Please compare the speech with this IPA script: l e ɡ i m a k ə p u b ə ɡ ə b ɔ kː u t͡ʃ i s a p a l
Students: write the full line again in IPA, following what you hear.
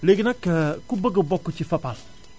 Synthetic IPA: l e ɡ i n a k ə k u b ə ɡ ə b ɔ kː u t͡ʃ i f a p a l